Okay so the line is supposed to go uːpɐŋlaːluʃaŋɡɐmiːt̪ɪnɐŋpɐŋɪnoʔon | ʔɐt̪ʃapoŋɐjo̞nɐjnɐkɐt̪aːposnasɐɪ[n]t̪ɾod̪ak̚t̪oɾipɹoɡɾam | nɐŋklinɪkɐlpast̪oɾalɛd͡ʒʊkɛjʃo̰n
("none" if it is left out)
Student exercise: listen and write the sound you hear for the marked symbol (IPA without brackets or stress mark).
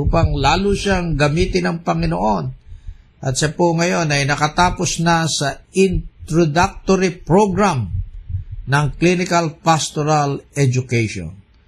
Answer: n